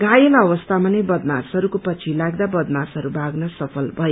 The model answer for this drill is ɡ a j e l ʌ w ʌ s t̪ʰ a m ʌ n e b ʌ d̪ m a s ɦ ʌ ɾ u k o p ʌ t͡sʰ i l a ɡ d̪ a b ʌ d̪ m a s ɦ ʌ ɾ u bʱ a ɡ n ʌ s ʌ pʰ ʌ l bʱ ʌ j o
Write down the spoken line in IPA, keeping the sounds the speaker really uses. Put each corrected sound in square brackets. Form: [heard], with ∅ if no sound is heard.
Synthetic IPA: ɡ a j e l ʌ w ʌ s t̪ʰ a m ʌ n e b ʌ d̪ m a s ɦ ʌ ɾ u k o p ʌ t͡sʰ i l a ɡ d̪ a b ʌ d̪ m a s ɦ ʌ ɾ u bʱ a ɡ n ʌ s ʌ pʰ ʌ l bʱ ʌ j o